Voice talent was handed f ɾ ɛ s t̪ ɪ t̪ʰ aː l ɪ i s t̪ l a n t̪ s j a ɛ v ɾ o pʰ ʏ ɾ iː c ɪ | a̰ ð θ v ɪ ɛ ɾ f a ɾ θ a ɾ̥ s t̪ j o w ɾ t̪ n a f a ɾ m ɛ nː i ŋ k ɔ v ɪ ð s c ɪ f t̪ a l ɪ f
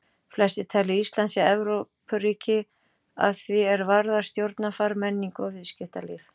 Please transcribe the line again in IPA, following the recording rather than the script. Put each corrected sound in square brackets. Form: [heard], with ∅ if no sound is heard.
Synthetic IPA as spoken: f [l] ɛ s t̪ ɪ t̪ʰ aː l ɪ i s t̪ l a n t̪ s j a ɛ v ɾ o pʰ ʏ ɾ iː c ɪ | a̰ ð θ v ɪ ɛ ɾ [v] a ɾ [ð] a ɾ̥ s t̪ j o w ɾ t̪ n a f a ɾ m ɛ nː i ŋ k ɔ v ɪ ð s c ɪ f t̪ a l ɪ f